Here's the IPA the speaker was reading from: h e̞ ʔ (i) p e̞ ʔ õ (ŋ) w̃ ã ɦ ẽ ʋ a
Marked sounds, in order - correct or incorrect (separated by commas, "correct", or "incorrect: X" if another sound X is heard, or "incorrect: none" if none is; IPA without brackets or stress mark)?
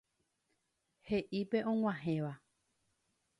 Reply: correct, correct